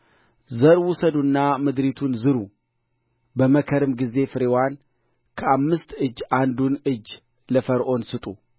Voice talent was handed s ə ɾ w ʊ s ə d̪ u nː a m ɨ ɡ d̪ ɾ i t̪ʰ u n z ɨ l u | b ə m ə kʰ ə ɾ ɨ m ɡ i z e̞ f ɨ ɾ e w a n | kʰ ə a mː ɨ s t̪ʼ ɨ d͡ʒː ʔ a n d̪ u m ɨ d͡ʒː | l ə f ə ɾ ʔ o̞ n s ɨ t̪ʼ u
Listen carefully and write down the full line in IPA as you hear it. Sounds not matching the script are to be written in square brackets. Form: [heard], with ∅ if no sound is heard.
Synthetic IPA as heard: [z] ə ɾ w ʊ s ə d̪ u nː a m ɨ [∅] d̪ ɾ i t̪ʰ u n z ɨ [ɾ] u | b ə m ə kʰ ə ɾ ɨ m ɡ i z e̞ f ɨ ɾ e w a n | kʰ ə a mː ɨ s [t̪] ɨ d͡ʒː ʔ a n d̪ u [n] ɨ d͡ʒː | l ə f ə ɾ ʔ o̞ n s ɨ t̪ʼ u